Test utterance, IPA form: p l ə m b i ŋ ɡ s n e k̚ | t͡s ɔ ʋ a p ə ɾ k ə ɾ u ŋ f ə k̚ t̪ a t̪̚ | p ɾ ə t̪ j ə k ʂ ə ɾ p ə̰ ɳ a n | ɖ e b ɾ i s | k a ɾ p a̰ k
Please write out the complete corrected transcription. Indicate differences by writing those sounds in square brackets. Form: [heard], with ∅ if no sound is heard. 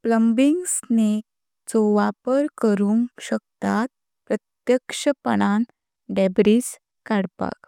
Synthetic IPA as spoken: p l ə m b i ŋ ɡ s n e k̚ | t͡s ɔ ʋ a p ə ɾ k ə ɾ u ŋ [ɕ] ə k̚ t̪ a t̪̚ | p ɾ ə t̪ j ə k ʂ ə [∅] p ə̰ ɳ a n | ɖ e b ɾ i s | k a [ɽ] p a̰ k